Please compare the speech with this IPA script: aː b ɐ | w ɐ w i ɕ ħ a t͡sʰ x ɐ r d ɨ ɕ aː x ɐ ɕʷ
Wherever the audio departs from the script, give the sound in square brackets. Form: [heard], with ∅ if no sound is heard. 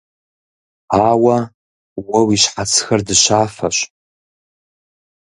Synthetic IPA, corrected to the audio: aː [w] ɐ | w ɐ w i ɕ ħ a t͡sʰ x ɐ r d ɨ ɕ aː [f] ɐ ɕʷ